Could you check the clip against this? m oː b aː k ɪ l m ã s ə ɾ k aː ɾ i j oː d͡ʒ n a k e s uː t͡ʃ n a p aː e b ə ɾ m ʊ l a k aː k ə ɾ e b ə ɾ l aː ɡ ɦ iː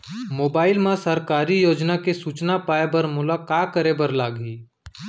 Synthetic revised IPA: m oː b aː ɪ l m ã s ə ɾ k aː ɾ i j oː d͡ʒ n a k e s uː t͡ʃ n a p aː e b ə ɾ m ʊ l a k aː k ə ɾ e b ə ɾ l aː ɡ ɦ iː